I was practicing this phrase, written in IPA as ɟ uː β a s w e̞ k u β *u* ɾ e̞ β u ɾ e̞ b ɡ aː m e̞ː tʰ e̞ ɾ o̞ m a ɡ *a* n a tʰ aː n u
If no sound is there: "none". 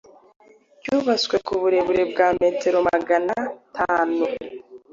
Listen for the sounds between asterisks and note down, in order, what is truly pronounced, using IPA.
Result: u, a

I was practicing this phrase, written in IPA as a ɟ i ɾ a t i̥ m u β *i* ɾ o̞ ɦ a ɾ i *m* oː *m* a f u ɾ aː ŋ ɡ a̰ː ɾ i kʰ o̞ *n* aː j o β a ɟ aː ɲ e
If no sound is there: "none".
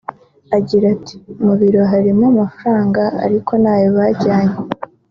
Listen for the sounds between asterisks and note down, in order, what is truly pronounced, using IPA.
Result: i, m, m, n

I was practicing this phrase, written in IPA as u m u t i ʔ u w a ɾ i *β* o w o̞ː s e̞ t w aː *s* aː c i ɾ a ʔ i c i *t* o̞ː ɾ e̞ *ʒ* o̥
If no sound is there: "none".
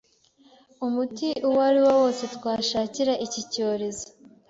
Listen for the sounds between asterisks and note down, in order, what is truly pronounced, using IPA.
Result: w, ʃ, c, z

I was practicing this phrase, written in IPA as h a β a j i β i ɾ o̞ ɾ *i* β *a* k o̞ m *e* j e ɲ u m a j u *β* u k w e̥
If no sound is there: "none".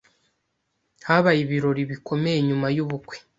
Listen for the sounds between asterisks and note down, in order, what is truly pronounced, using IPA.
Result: i, i, e, β

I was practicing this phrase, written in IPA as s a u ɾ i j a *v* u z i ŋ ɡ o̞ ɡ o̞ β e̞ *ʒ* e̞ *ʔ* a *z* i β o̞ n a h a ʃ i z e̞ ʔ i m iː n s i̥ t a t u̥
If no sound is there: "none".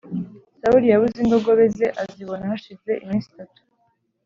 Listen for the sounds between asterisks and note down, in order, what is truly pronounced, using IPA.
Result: β, z, ʔ, z

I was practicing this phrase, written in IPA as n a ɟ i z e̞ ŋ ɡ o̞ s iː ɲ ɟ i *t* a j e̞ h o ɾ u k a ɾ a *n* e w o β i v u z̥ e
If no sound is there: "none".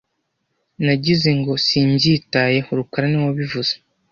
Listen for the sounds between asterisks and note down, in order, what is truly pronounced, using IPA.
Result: t, n

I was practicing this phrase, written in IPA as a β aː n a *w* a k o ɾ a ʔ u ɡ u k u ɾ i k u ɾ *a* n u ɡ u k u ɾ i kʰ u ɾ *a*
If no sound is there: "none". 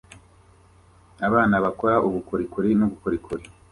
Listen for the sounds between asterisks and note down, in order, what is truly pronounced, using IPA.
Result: β, i, i

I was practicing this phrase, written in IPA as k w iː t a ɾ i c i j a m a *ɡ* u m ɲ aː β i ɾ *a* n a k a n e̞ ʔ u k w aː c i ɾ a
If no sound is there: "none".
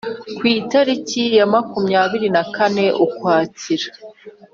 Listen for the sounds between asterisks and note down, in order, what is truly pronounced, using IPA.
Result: k, i

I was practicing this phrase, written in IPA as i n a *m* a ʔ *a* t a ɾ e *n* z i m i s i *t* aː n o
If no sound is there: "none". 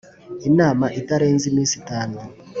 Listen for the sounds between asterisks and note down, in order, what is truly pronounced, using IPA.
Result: m, i, n, t

